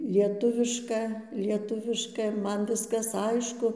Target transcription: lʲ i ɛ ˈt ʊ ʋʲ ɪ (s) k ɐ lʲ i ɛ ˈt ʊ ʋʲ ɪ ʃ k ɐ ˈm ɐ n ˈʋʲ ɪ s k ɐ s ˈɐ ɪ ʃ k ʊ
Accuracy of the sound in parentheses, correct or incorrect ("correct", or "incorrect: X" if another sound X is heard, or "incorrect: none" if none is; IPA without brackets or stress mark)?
incorrect: ʃ